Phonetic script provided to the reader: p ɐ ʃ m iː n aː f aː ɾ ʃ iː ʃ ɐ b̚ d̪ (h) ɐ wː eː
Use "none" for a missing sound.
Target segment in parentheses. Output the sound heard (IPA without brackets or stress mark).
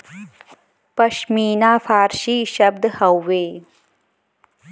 h